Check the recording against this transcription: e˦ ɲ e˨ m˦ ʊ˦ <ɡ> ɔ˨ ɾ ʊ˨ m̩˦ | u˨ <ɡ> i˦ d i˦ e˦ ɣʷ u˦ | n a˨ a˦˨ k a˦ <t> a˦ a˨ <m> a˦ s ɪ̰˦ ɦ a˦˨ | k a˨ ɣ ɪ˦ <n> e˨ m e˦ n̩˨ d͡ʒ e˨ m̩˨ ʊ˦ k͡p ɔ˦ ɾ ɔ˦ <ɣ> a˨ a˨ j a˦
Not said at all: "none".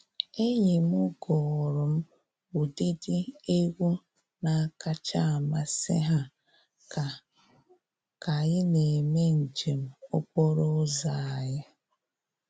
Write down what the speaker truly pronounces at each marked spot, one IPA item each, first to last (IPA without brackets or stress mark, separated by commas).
ɡ, d, t͡ʃ, m, n, z